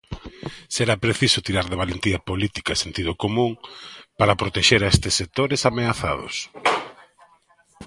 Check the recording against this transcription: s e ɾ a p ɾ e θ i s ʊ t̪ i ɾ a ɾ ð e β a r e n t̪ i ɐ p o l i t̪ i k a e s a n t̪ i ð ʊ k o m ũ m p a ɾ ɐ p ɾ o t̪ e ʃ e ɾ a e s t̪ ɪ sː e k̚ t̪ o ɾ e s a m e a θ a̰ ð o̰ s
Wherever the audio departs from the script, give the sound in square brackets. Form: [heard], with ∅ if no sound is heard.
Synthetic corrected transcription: s e ɾ a p ɾ e θ i s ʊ t̪ i ɾ a ɾ ð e β a [l] e n t̪ i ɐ p o l i t̪ i k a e s [e] n t̪ i ð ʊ k o m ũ [ŋ] p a ɾ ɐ p ɾ o t̪ e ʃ e ɾ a e s t̪ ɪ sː e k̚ t̪ o ɾ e s a m e a θ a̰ ð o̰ s